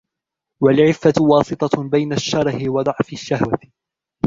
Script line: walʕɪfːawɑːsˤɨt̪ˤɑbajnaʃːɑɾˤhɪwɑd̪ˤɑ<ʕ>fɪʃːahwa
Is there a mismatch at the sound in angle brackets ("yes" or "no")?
no